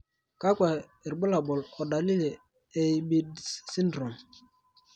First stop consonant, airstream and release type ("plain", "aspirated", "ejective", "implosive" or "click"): plain